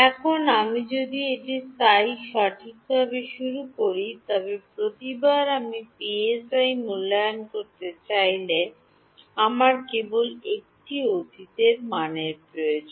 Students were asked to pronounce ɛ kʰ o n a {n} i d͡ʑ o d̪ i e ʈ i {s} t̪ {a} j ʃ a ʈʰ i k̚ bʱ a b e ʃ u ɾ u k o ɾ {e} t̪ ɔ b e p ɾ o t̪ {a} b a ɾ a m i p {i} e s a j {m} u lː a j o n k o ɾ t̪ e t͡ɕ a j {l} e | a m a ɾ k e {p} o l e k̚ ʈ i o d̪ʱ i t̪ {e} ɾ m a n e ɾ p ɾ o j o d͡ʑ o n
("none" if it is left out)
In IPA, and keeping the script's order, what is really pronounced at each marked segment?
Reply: m, s, a, i, i, i, m, l, b, e

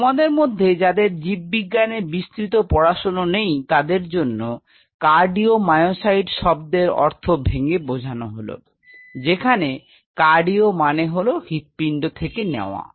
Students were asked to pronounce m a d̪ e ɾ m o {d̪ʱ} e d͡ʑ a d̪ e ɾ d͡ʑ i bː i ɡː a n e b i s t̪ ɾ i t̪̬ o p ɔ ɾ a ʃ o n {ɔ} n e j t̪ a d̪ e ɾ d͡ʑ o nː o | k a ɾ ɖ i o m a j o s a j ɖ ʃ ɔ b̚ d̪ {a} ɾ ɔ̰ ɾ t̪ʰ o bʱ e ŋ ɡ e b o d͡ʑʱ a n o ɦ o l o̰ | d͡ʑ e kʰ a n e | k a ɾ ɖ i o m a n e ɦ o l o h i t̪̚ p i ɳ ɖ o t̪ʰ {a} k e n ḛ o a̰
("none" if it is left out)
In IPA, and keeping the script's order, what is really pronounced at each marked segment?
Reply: d̪ʱː, o, e, e

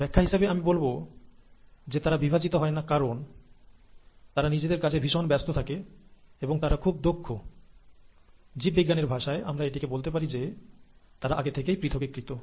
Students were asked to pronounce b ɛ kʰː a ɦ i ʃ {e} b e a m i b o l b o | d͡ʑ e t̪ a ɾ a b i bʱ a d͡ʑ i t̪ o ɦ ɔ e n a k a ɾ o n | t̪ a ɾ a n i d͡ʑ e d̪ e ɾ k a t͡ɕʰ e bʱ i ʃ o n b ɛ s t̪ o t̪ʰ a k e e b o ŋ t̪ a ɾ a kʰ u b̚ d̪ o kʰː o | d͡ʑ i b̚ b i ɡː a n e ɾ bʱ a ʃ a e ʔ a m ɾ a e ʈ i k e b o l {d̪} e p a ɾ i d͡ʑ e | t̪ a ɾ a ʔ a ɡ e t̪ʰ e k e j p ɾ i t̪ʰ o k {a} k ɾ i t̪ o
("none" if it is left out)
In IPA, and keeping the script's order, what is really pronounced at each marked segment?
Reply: a, t̪, e

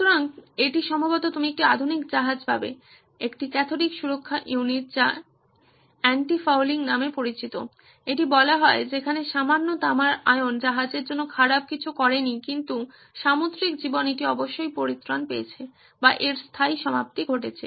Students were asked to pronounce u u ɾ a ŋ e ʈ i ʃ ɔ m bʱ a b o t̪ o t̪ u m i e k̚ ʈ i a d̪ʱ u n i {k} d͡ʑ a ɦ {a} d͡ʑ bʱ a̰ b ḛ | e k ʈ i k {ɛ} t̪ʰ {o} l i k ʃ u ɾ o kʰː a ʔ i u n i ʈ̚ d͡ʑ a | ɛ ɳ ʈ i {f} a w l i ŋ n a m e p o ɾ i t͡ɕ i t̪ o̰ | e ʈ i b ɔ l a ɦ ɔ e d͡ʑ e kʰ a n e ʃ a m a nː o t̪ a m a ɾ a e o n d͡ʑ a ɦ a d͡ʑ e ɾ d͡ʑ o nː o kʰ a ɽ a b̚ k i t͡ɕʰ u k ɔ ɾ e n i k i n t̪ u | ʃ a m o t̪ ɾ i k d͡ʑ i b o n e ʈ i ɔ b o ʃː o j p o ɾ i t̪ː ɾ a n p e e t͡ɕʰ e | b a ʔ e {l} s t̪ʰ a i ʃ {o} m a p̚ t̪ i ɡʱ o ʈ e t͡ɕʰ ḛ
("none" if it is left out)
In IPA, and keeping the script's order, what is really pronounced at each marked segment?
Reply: k, a, ɛ, o, f, ɾ, ɔ

